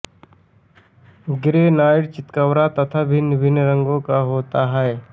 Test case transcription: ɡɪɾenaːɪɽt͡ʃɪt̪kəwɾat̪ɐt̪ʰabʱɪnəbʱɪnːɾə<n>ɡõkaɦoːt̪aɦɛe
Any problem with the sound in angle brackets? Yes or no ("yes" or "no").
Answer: yes